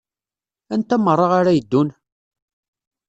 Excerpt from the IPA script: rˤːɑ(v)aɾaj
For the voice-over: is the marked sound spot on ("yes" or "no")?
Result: no